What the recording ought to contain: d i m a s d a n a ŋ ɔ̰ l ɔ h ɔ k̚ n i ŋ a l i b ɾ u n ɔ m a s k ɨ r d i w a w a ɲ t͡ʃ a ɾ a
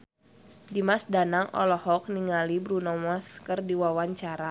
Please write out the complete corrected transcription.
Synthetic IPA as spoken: d i m a s d a n a ŋ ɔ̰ l ɔ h ɔ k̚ n i ŋ a l i b ɾ u n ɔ m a s k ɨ r d i w a w a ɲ t͡ʃ a ɾ a